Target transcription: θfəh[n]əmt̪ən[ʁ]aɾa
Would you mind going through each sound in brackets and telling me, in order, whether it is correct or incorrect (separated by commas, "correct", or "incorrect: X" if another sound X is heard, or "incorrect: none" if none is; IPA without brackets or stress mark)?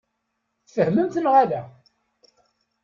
incorrect: m, correct